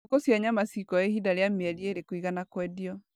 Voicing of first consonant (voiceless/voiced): voiceless